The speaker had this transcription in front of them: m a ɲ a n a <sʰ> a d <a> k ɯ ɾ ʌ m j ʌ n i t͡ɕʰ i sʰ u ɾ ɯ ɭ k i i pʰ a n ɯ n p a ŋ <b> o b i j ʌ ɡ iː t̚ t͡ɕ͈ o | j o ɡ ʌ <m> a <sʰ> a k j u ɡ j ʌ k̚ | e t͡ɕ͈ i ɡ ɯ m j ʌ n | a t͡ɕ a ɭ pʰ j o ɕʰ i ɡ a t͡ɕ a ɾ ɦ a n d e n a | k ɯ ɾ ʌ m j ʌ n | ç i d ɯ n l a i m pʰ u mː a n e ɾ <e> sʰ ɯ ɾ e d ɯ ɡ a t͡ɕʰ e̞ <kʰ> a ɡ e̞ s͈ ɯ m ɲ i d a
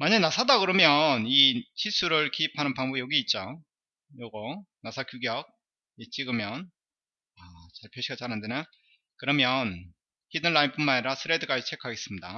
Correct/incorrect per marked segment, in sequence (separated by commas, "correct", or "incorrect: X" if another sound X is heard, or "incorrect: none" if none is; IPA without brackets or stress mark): correct, correct, correct, incorrect: n, correct, incorrect: a, correct